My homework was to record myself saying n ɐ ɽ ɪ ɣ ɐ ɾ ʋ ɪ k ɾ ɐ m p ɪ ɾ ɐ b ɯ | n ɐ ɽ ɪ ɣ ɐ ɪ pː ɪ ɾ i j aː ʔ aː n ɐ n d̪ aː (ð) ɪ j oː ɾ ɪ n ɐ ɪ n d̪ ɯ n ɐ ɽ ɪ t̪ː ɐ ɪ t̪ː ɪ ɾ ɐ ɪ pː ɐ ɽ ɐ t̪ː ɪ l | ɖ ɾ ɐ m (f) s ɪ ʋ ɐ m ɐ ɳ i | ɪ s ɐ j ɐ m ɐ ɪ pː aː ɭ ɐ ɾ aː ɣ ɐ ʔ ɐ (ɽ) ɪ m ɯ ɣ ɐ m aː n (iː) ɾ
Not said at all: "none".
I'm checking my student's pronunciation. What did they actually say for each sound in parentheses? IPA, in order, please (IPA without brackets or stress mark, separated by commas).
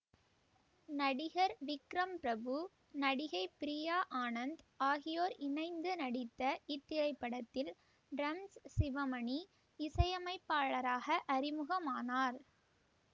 ɣ, s, ɾ, aː